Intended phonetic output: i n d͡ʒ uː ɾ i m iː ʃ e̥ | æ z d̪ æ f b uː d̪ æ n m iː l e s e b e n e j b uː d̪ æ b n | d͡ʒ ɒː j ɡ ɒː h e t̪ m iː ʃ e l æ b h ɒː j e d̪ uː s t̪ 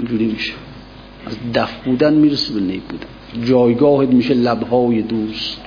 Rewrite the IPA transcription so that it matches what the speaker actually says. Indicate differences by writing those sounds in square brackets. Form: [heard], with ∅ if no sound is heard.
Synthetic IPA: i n d͡ʒ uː ɾ i m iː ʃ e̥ | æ z d̪ æ f b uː d̪ æ n m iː [ɾ] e s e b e n e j b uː d̪ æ [∅] n | d͡ʒ ɒː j ɡ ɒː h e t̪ m iː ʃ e l æ b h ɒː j e d̪ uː s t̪